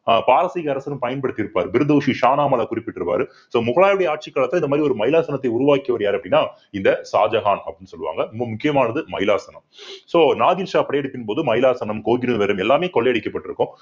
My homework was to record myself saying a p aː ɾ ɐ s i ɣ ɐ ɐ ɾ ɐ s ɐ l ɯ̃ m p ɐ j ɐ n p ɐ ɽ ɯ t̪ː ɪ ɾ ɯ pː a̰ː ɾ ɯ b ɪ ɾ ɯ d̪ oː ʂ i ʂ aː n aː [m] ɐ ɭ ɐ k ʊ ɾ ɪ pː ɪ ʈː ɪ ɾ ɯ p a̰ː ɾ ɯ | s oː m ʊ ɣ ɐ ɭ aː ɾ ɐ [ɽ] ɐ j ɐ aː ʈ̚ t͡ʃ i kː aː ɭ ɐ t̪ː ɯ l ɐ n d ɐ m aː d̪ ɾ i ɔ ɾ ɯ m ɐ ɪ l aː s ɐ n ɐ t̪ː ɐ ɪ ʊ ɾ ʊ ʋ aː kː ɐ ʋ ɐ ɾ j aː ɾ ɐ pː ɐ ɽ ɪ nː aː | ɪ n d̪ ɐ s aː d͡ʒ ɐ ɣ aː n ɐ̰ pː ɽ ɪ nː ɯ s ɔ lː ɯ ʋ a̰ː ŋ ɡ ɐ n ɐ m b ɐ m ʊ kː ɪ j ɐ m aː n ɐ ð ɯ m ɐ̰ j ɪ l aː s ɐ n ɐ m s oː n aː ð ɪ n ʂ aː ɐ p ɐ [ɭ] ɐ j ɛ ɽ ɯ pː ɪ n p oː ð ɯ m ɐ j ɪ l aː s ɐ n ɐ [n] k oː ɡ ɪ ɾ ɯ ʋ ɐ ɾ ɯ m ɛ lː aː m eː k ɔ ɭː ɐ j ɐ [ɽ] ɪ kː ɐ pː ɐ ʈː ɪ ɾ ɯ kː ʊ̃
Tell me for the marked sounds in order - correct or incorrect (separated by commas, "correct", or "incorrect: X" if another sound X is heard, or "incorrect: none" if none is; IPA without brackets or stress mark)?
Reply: correct, correct, incorrect: ɽ, incorrect: m, correct